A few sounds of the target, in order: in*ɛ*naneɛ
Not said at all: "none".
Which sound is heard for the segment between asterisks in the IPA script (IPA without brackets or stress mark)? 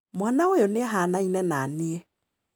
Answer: ɛ